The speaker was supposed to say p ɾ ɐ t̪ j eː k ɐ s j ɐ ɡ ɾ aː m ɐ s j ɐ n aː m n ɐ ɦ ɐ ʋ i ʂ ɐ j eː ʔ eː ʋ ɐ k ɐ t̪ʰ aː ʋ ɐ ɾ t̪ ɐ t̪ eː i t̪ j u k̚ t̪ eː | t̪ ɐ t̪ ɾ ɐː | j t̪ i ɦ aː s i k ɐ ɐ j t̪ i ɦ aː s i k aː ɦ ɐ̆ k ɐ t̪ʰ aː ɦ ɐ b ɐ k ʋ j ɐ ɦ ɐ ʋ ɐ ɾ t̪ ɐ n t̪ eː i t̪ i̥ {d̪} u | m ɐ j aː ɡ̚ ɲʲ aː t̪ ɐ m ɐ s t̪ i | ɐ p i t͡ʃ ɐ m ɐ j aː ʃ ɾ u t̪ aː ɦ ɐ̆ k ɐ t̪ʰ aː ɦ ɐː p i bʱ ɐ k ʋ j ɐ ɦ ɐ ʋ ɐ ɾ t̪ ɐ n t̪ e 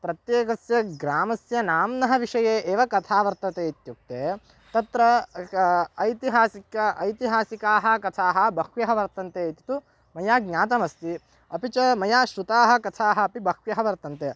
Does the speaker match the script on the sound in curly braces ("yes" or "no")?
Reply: no